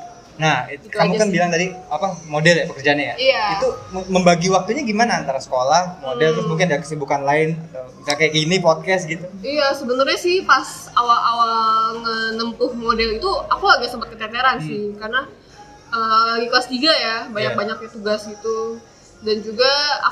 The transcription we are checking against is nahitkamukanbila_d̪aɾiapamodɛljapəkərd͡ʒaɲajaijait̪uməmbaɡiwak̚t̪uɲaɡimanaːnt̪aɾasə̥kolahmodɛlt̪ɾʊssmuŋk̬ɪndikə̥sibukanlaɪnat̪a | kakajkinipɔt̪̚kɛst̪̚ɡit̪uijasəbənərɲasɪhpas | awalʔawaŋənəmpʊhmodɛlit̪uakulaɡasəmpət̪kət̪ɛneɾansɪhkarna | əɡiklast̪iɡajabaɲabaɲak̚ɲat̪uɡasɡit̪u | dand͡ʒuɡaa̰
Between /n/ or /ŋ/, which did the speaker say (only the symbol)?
ŋ